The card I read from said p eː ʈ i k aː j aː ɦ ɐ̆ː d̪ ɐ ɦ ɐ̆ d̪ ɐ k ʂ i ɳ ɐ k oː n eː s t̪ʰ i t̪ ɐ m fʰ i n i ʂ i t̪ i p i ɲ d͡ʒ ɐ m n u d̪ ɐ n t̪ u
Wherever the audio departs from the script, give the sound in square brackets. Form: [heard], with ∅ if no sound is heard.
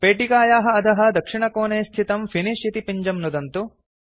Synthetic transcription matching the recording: p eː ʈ i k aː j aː ɦ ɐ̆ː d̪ ɐ ɦ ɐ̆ d̪ ɐ k ʂ i ɳ ɐ k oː n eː s t̪ʰ i t̪ ɐ m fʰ i n i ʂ i t̪ i p i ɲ d͡ʒ ɐ m n u d̪ ɐ n t̪ u